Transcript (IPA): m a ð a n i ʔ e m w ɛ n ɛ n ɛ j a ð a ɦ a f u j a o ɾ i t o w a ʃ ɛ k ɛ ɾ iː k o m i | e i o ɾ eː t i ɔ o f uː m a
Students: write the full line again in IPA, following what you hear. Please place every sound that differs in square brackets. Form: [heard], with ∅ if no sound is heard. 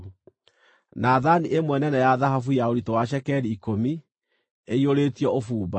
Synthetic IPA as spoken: [n] a ð a n i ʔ e m w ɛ n ɛ n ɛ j a ð a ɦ a f u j a o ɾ i t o w a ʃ ɛ k ɛ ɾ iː k o m i | e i o ɾ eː t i ɔ o f uː [b] a